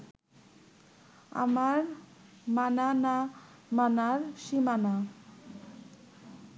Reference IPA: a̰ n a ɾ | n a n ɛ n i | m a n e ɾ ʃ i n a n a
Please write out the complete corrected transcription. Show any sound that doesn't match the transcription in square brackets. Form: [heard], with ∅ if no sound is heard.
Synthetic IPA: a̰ [m] a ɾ | [m] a n [a] n [a] | m a n [a] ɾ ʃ i [m] a n a